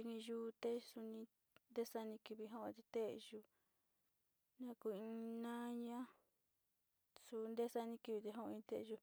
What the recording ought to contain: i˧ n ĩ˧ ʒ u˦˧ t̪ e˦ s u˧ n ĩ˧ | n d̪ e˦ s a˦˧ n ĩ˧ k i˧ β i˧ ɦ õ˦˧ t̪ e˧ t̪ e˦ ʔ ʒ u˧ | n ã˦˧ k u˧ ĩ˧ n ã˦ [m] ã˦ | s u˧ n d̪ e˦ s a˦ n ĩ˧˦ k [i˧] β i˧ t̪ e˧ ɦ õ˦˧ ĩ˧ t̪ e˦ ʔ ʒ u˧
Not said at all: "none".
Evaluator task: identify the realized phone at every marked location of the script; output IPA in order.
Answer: ɲ, i˧

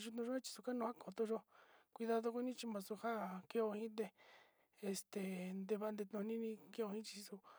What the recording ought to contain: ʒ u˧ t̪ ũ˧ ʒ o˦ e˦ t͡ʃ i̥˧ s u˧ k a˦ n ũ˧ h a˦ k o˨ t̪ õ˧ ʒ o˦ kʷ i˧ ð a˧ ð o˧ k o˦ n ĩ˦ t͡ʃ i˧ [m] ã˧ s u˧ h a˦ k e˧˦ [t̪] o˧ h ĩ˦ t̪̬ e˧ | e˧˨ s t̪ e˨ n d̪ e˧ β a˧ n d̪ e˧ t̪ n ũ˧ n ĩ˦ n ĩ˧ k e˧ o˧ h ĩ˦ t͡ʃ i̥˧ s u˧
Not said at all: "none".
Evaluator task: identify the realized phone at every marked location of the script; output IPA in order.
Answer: m, none

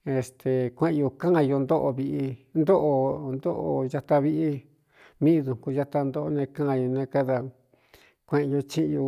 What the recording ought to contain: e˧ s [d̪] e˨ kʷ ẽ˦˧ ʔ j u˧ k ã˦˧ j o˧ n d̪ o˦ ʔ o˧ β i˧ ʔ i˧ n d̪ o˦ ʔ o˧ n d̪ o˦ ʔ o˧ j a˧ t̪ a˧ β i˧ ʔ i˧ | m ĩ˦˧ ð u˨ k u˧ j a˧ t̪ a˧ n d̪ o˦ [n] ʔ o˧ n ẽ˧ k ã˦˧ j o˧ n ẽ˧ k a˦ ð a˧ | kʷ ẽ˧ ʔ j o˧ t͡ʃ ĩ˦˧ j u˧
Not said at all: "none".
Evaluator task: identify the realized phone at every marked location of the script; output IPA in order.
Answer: t̪, none

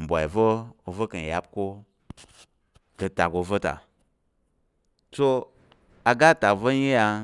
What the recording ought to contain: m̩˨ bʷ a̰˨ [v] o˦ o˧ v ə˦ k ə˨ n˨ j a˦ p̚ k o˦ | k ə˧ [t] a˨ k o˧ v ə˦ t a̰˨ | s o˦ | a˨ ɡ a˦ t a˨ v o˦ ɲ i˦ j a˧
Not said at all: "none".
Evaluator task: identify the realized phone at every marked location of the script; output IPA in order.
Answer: v, t

